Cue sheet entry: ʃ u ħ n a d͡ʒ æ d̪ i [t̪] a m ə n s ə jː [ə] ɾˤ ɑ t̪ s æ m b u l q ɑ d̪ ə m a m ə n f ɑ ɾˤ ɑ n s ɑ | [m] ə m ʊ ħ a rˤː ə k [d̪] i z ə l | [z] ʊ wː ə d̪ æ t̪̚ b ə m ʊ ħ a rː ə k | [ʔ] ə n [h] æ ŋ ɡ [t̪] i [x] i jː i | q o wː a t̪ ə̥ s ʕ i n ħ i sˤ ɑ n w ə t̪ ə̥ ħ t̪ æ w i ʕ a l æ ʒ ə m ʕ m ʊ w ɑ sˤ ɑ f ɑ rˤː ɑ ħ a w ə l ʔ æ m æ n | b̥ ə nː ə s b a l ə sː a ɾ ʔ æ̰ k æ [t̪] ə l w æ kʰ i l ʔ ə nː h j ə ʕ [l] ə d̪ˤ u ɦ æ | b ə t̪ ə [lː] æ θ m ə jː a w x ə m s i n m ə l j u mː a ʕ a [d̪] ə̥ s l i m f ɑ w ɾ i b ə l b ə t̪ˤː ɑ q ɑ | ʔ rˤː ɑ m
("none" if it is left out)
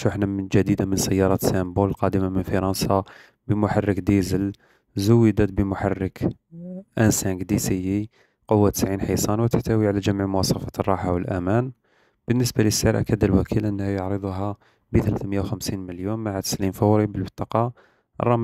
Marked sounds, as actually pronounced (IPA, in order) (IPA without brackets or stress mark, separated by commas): d̪, ɑ, b, d̪, z, ʔ, s, d̪, s, d̪, ɾ, l, t̪